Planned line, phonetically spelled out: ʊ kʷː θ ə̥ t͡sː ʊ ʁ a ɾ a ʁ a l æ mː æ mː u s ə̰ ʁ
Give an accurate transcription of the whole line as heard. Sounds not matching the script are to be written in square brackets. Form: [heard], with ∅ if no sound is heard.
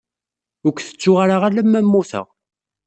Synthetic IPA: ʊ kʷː θ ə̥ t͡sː ʊ ʁ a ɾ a ʁ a l æ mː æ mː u [θ] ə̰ ʁ